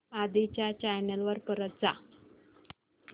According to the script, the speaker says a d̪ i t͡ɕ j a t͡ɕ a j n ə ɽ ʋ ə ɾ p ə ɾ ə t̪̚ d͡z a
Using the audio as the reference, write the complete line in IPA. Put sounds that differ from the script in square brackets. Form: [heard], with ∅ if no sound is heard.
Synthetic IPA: a d̪ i t͡ɕ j a t͡ɕ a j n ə [l] ʋ ə ɾ p ə ɾ ə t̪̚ d͡z a